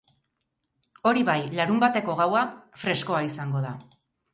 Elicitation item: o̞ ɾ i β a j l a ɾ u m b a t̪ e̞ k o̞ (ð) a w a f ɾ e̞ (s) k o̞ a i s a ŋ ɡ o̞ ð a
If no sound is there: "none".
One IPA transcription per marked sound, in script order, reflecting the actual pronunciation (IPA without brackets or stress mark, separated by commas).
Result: ɣ, s